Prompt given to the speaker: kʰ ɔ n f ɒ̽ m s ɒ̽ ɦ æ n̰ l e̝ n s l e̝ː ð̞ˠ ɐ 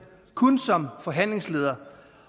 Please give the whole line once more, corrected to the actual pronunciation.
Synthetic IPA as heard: kʰ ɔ n s ɒ̽ m f ɒ̽ ɦ æ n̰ l e̝ ŋ s l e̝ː ð̞ˠ ɐ